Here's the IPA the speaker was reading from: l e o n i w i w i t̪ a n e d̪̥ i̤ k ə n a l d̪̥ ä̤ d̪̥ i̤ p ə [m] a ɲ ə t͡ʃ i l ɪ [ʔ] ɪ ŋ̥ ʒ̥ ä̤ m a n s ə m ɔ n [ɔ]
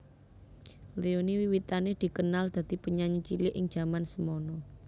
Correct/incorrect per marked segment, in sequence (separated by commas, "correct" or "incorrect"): incorrect, correct, correct